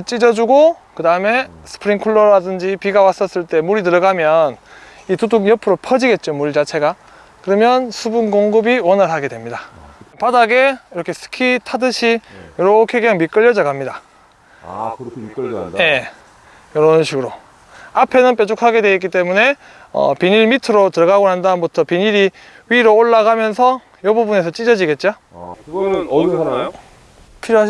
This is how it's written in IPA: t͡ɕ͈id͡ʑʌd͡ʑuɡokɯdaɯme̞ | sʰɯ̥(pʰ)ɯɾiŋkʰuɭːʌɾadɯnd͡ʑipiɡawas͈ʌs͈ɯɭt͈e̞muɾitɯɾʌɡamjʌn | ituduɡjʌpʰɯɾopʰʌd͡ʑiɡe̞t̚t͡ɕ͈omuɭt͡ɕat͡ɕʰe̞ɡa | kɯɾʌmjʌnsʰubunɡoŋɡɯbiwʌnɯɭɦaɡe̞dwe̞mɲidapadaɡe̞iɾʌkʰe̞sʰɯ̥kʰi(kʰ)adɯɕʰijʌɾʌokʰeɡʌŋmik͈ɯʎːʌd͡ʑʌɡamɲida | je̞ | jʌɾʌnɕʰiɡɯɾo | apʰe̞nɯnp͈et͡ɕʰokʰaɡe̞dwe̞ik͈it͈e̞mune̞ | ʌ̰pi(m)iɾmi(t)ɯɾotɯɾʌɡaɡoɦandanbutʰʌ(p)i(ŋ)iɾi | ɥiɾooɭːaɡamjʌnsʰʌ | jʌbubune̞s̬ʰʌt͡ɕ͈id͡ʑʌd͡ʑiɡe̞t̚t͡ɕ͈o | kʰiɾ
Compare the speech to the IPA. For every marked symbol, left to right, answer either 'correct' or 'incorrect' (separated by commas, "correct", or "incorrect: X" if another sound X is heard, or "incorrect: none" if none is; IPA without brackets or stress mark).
correct, incorrect: tʰ, incorrect: ɲ, incorrect: tʰ, correct, incorrect: ɲ